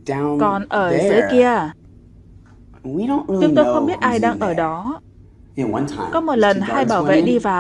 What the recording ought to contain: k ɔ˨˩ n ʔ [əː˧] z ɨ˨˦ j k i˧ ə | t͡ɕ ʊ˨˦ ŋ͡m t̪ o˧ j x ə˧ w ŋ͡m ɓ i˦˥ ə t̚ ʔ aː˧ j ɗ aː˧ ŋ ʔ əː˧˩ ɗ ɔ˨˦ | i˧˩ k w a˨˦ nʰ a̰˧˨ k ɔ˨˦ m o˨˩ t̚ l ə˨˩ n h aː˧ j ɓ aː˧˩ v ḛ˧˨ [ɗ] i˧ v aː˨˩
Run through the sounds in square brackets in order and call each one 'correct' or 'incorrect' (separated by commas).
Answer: incorrect, correct